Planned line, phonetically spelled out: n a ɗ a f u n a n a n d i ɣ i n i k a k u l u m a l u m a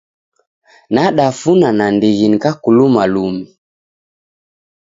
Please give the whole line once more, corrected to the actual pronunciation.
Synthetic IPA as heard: n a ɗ a f u n a n a n d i ɣ i n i k a k u l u m a l u m i